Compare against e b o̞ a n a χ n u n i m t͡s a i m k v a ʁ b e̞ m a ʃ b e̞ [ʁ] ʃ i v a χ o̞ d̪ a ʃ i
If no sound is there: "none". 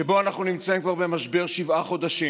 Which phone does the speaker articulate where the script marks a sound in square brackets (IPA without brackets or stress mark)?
ʁ